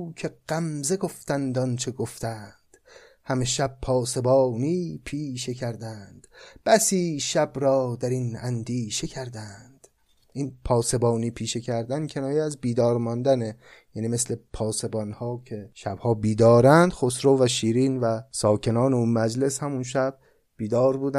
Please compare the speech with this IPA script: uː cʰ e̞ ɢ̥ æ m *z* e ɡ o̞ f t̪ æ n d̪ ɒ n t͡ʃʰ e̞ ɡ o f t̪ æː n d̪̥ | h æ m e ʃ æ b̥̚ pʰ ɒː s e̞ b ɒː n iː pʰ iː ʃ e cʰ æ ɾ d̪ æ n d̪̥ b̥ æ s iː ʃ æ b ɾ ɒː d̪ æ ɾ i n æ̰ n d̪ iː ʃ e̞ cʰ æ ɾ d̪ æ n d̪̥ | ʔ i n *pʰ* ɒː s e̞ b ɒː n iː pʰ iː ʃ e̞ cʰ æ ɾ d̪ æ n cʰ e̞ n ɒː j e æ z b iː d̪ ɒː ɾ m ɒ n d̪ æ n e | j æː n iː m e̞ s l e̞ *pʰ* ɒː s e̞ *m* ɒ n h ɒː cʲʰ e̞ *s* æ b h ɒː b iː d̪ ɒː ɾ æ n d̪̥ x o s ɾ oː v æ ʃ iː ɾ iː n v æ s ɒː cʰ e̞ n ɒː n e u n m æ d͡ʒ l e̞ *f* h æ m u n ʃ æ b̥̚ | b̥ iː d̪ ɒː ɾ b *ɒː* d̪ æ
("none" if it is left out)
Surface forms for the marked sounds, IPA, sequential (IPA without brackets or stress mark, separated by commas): z, pʰ, pʰ, b, ʃ, s, uː